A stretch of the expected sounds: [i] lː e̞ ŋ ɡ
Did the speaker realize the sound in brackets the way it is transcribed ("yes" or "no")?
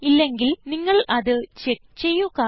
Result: yes